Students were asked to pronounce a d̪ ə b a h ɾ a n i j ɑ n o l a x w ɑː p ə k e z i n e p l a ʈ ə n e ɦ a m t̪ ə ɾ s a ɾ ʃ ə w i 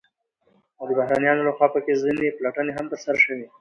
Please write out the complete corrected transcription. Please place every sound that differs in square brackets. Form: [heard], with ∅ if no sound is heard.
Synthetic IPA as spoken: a d̪ ə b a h ɾ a n i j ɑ n o l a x w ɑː p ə k e z i n e p l a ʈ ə n e ɦ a m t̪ ə ɾ s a ɾ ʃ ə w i